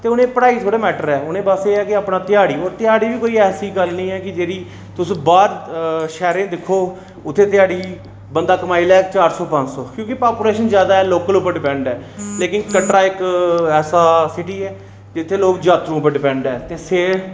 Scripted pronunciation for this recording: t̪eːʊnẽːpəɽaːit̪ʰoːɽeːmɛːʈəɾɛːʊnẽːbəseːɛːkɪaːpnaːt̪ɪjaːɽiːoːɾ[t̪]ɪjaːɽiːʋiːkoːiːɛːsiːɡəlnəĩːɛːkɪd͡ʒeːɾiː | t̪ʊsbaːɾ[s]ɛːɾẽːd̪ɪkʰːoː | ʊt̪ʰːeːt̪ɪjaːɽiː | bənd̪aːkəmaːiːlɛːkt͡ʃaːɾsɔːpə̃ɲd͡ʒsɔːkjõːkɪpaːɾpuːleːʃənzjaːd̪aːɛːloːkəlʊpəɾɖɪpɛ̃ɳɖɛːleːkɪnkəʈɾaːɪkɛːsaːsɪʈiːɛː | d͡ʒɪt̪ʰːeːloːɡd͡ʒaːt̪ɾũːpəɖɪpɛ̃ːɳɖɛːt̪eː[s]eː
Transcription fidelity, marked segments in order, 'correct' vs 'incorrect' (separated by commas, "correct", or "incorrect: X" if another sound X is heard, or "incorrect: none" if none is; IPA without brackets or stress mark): correct, incorrect: ʃ, correct